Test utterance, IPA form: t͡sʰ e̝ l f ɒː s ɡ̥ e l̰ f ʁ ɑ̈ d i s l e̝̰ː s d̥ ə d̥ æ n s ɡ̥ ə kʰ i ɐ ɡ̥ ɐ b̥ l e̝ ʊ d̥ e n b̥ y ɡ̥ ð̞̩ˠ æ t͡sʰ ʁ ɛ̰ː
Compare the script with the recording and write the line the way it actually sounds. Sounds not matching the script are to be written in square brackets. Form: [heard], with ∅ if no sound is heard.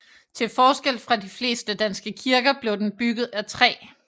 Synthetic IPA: t͡sʰ e̝ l f ɒː s ɡ̥ e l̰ f ʁ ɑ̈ d i [f] l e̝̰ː s d̥ ə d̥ æ n s ɡ̥ ə kʰ i ɐ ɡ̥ ɐ b̥ l e̝ ʊ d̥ e n b̥ y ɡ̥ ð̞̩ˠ æ t͡sʰ ʁ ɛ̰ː

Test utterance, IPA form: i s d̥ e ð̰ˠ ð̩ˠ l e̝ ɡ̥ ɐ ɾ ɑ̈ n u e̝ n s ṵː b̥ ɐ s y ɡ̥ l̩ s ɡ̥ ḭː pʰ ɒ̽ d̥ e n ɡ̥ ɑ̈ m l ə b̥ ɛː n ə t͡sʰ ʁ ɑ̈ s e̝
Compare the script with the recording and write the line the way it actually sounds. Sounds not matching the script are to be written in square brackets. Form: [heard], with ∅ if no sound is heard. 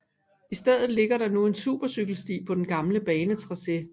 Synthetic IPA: i s d̥ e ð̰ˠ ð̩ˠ l e̝ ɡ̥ ɐ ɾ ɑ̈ n u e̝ n s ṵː b̥ ɐ s y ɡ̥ l̩ s [d̥] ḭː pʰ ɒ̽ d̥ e n ɡ̥ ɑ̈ m l ə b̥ ɛː n ə t͡sʰ ʁ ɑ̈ s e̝

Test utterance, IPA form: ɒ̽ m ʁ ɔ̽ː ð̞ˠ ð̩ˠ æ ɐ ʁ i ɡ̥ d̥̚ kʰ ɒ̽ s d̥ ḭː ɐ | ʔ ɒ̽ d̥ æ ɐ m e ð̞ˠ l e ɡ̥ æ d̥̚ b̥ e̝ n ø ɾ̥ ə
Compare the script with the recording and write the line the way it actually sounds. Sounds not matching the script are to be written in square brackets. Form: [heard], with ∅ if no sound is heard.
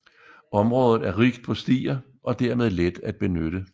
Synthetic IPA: ɒ̽ m ʁ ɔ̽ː ð̞ˠ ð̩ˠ æ ɐ ʁ i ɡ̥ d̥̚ [pʰ] ɒ̽ s d̥ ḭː ɐ | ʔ ɒ̽ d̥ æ ɐ m e ð̞ˠ l e [d̥] æ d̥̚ b̥ e̝ n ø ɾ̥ ə

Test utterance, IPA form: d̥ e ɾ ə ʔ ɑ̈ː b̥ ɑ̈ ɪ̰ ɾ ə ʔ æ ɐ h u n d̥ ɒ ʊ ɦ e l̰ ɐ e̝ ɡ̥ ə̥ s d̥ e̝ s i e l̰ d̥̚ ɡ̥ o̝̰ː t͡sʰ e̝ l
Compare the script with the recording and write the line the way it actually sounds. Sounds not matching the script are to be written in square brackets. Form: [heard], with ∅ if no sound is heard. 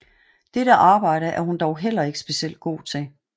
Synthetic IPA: d̥ e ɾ ə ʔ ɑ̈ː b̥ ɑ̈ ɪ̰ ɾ ə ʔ æ ɐ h u n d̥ ɒ ʊ ɦ e l̰ ɐ e̝ ɡ̥ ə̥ s [b̥] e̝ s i e l̰ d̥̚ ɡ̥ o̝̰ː t͡sʰ e̝ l

